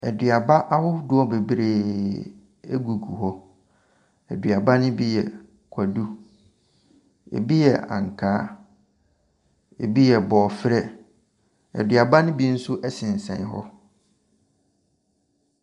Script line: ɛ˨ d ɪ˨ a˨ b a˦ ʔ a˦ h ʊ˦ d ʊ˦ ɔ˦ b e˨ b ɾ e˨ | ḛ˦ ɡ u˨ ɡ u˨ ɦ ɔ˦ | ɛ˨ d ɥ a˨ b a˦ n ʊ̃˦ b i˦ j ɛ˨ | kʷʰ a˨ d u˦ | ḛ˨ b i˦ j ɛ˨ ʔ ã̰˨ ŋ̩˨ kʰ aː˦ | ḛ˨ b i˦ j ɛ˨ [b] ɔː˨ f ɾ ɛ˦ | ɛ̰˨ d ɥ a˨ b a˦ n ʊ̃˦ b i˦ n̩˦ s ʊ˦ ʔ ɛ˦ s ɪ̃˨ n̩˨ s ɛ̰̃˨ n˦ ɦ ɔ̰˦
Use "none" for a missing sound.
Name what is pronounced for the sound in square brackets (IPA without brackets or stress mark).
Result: b